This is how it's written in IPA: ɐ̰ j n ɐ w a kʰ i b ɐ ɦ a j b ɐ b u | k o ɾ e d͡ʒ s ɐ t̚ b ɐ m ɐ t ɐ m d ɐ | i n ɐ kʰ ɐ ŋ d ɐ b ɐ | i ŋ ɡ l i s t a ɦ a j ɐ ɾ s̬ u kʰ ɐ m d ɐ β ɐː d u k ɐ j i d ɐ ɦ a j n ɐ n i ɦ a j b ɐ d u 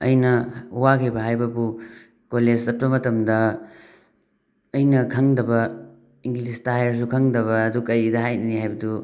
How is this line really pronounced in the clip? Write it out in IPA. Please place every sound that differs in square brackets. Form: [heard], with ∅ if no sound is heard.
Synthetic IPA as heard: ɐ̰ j n ɐ w a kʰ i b ɐ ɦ a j b ɐ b u | k o [l] e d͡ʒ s ɐ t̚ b ɐ m ɐ t ɐ m d ɐ | [j] n ɐ kʰ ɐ ŋ d ɐ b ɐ | i ŋ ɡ l i s t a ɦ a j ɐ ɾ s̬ u kʰ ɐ [ŋ] d ɐ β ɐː d u k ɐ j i d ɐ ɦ a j n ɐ n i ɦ a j b ɐ d u